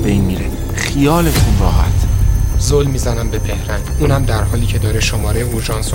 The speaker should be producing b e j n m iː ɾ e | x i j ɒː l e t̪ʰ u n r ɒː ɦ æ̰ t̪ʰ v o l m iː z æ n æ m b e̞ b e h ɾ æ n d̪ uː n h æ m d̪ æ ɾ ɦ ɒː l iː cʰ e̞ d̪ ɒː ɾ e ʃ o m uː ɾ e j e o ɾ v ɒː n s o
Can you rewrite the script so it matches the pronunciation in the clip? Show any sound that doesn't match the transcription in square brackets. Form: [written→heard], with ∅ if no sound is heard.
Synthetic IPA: b e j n m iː ɾ e | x i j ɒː l e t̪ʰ u n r ɒː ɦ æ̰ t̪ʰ [v→z] o l m iː z æ n æ m b e̞ b e h ɾ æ n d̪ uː n h æ m d̪ æ ɾ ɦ ɒː l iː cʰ e̞ d̪ ɒː ɾ e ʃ o m [uː→ɒː] ɾ e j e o ɾ [v→ʒ] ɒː n s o